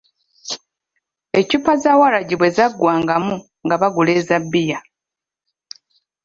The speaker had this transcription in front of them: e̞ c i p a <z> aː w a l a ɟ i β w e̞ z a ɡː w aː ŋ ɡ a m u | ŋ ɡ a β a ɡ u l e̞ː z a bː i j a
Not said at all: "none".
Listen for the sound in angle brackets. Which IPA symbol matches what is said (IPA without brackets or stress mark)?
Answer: z